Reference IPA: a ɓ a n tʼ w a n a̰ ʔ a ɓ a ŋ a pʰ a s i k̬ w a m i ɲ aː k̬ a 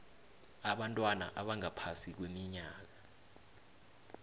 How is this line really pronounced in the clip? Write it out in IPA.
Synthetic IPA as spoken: a ɓ a n tʼ w a n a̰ ʔ a ɓ a ŋ a pʰ a s i k̬ w e m i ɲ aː k̬ a